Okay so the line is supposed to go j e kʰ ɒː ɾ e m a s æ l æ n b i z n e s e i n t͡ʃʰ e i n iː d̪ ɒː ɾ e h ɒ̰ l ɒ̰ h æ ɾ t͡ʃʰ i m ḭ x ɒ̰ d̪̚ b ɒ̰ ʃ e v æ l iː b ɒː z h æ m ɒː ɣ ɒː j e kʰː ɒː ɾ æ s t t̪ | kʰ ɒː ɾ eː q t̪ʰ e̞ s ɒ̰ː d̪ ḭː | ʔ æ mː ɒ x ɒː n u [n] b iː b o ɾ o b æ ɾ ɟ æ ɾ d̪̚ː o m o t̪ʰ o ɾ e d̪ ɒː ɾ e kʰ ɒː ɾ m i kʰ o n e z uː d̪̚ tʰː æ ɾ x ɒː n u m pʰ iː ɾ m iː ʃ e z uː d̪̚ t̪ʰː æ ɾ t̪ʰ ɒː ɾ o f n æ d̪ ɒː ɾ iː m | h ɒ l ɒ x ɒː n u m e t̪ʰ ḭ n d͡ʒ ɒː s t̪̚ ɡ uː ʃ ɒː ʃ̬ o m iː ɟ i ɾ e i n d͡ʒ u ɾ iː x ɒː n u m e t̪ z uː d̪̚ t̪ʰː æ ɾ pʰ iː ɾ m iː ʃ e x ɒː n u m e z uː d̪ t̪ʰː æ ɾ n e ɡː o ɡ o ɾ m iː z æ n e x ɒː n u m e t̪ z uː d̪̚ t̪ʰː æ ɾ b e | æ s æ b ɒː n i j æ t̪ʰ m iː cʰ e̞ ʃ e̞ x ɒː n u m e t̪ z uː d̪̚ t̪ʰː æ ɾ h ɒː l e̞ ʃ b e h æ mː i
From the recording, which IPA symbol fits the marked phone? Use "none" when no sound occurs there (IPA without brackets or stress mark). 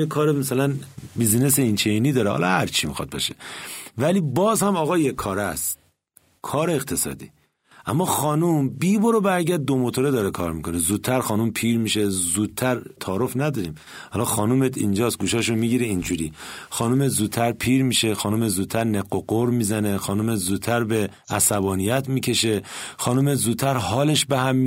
m